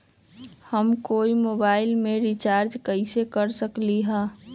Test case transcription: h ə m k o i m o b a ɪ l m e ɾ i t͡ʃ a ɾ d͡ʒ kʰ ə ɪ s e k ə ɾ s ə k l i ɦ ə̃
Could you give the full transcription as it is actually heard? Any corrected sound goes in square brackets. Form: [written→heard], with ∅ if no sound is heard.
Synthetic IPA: h ə m k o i m o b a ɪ l m e ɾ i t͡ʃ a ɾ d͡ʒ [kʰ→k] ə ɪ s e k ə ɾ s ə k l i ɦ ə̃